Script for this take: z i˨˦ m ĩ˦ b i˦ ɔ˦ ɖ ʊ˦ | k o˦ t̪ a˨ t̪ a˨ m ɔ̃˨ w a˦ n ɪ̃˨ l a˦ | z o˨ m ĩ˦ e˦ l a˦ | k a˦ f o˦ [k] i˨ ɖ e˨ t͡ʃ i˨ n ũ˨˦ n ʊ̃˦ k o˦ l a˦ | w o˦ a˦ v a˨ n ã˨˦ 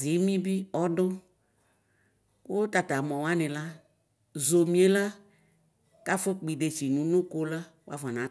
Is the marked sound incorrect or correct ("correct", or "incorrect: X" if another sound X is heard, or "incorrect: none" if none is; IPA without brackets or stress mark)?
incorrect: k͡p